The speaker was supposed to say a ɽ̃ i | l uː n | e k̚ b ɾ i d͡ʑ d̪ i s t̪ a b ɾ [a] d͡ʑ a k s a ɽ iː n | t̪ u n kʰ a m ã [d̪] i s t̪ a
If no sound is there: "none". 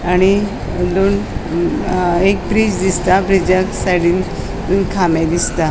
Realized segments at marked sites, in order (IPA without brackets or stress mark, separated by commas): i, d̪